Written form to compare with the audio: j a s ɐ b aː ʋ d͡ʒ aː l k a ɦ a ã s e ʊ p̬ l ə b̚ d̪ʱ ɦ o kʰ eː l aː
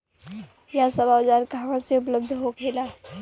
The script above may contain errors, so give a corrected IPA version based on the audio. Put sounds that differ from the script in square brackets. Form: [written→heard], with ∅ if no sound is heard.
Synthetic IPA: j a s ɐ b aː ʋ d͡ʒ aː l k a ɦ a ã s e ʊ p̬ l ə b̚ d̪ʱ ɦ o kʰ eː l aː

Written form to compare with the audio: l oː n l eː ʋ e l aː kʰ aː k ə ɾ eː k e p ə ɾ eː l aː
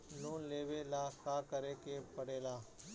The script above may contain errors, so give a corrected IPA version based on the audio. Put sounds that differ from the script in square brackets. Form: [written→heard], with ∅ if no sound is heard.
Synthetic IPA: l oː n l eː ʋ e l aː [kʰ→k] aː k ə ɾ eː k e p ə [ɾ→ɽ] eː l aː

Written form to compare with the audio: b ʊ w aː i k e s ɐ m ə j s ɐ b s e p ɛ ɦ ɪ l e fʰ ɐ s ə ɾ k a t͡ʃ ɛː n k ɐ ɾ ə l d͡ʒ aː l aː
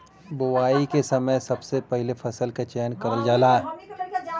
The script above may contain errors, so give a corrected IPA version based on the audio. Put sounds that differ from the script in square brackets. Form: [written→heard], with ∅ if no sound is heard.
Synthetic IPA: b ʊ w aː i k e s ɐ m ə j s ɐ b s e p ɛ ɦ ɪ l e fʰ ɐ s ə [ɾ→l] k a t͡ʃ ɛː n k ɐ ɾ ə l d͡ʒ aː l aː

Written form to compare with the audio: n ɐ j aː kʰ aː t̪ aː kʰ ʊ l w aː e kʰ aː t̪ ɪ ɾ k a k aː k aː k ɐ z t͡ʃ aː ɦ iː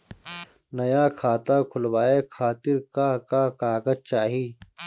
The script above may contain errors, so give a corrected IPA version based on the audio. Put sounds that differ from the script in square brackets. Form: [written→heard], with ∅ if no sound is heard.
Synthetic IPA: n ɐ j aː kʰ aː t̪ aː kʰ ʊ l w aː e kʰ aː t̪ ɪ ɾ k a k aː k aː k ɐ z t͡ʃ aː ɦ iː

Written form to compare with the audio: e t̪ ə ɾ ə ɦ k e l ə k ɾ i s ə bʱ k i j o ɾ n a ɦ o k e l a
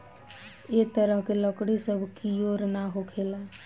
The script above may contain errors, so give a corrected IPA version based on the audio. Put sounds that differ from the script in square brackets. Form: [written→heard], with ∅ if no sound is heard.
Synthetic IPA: e t̪ ə ɾ ə ɦ k e l ə k [ɾ→ɽ] i s ə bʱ k i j o ɾ n a ɦ o [k→kʰ] e l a

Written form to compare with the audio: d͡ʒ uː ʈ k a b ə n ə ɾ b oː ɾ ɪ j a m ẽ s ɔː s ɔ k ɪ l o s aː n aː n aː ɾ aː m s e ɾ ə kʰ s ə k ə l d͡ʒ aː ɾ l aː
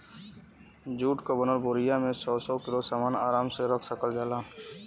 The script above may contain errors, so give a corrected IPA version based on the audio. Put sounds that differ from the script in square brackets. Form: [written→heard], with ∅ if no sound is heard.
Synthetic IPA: d͡ʒ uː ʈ k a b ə n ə ɾ b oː ɾ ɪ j a m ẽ s ɔː s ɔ k ɪ l o s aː [n→m] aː n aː ɾ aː m s e ɾ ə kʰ s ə k ə l d͡ʒ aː [ɾ→∅] l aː

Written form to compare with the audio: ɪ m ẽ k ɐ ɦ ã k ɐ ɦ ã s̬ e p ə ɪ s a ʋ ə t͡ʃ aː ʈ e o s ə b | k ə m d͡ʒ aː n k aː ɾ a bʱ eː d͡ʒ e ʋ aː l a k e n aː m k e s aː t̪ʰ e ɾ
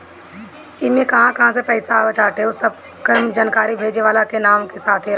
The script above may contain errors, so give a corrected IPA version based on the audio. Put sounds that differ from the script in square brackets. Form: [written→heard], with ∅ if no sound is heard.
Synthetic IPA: ɪ m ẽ k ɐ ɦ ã k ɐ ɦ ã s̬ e p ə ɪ s a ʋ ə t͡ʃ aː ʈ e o s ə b | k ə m d͡ʒ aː n k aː ɾ [a→i] bʱ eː d͡ʒ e ʋ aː l a k e n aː m k e s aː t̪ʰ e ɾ

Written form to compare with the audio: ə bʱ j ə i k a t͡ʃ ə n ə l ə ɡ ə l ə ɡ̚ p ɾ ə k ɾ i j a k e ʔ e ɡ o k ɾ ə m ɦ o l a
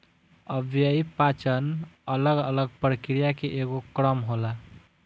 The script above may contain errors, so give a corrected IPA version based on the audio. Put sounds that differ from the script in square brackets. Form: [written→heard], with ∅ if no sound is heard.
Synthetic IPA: ə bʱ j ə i [k→p] a t͡ʃ ə n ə l ə ɡ ə l ə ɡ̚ p ɾ ə k ɾ i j a k e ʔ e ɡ o k ɾ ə m ɦ o l a

